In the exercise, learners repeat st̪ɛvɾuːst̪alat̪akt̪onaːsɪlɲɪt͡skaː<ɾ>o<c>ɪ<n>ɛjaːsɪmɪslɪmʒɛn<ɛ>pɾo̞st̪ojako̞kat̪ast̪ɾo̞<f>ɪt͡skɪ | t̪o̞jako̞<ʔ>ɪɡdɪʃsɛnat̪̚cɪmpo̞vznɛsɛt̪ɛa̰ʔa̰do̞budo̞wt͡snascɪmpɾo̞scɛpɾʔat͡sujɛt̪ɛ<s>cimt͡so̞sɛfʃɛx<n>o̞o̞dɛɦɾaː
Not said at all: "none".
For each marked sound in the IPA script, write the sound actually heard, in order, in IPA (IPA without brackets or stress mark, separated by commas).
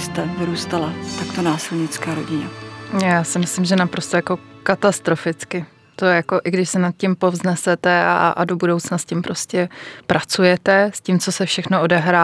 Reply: ɾ, ɟ, ɲ, a, f, ʔ, s, n